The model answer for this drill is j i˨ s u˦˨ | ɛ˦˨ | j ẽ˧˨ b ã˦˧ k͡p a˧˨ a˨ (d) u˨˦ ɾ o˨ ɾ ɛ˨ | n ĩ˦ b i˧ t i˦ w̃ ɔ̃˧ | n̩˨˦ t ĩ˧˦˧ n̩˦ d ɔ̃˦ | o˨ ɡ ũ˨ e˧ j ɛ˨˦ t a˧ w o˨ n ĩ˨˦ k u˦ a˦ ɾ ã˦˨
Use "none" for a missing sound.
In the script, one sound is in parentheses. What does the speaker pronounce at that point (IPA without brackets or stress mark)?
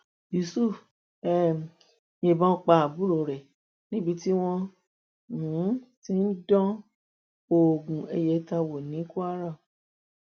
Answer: b